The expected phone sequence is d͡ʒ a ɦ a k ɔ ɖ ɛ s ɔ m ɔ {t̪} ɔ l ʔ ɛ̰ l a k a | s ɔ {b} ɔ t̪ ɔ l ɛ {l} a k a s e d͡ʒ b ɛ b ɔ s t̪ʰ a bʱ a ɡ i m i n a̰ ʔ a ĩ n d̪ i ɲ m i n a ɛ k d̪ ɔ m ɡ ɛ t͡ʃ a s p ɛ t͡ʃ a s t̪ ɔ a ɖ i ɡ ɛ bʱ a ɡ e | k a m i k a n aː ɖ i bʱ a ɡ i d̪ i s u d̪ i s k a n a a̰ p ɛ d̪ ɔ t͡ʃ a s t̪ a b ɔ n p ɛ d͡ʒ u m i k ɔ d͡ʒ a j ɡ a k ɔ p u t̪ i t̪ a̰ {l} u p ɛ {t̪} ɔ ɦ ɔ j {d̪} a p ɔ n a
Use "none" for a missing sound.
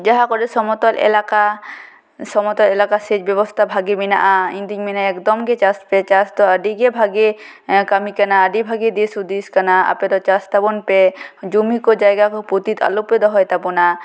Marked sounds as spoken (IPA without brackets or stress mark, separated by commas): t̪, m, l, l, d̪, t̪